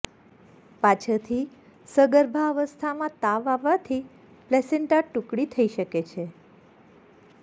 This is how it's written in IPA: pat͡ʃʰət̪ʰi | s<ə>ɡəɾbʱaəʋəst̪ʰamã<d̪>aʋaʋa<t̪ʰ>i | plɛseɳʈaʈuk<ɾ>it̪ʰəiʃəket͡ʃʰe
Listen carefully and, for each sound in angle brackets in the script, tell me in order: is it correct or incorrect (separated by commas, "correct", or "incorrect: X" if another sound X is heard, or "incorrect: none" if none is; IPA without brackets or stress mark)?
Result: correct, incorrect: t̪, correct, incorrect: ɽ